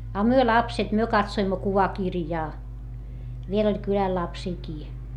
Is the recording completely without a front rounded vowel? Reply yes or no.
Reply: no